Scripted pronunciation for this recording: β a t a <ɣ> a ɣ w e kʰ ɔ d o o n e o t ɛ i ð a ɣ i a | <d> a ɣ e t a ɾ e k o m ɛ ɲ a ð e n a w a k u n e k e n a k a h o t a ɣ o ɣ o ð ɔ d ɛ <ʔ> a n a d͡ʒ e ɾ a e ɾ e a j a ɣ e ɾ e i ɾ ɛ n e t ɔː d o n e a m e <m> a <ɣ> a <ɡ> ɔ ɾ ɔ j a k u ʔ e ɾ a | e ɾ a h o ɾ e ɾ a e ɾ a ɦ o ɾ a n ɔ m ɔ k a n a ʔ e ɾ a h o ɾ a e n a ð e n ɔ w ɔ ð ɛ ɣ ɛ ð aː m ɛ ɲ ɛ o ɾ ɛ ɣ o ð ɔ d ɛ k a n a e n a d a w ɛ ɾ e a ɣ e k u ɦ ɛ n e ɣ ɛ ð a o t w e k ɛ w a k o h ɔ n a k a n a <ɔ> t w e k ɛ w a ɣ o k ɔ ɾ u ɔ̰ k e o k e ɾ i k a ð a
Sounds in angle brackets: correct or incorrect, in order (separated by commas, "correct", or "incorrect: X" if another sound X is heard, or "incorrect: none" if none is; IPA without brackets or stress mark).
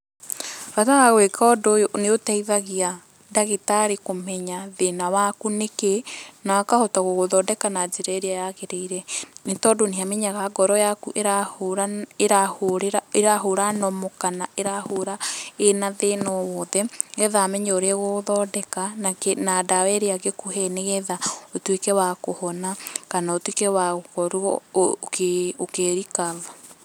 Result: correct, correct, incorrect: k, incorrect: ɲ, correct, correct, incorrect: o